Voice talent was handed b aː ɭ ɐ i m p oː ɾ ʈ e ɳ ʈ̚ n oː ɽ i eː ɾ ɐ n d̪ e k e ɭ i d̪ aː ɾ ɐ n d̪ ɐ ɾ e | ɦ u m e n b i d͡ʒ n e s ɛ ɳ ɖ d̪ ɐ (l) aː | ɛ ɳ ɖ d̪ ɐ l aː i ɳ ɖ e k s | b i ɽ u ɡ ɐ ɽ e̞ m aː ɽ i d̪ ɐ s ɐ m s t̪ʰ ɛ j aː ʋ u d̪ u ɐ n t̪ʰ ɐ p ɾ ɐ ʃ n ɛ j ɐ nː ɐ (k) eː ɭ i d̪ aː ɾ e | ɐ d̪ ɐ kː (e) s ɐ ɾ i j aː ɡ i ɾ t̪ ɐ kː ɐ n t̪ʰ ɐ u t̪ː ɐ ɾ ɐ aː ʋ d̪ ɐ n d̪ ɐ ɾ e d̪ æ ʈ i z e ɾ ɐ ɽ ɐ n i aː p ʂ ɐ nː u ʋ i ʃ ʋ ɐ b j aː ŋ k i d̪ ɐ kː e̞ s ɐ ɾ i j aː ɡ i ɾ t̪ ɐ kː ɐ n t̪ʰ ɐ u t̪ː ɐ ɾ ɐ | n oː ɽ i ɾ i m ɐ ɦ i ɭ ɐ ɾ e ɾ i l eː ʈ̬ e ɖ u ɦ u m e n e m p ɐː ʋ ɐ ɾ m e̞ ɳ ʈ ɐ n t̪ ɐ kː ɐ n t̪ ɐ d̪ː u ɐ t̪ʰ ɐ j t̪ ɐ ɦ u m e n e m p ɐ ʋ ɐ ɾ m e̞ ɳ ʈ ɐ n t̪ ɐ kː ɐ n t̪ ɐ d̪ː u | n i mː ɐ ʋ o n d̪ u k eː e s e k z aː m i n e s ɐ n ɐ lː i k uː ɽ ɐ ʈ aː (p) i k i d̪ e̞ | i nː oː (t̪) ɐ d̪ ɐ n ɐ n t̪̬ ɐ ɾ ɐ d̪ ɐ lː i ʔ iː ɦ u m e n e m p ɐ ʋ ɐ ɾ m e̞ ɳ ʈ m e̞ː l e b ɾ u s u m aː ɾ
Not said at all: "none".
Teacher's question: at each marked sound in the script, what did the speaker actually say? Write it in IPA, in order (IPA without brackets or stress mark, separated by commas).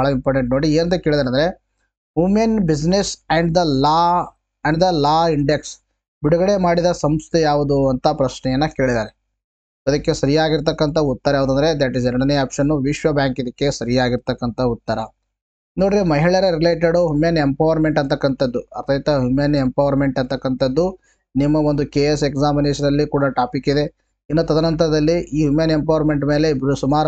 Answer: l, k, e, p, t̪